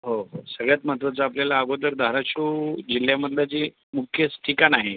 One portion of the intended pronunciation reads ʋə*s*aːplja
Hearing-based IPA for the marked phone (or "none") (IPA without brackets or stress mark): t͡s